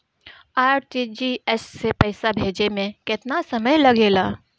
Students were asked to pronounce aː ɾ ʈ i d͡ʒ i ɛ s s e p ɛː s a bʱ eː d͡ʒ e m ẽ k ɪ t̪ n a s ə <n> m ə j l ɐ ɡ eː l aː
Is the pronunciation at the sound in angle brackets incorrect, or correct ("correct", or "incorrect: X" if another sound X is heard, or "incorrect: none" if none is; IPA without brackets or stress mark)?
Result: incorrect: none